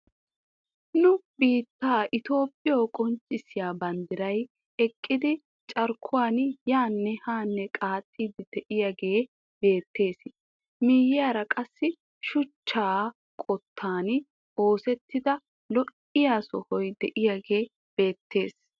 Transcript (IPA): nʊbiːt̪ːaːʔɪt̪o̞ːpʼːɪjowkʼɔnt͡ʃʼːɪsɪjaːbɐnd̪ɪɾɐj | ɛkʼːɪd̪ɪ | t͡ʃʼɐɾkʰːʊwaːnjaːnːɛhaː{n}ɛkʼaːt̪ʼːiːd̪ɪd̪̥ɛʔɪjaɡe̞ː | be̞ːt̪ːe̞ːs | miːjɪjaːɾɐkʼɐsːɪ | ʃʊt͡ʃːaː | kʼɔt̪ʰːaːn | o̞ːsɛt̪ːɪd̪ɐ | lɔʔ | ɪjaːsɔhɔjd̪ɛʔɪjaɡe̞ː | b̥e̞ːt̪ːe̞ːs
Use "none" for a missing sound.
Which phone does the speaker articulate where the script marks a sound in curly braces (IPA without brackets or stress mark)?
nː